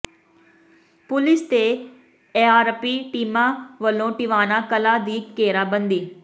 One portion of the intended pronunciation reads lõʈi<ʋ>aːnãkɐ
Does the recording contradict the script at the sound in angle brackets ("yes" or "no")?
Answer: no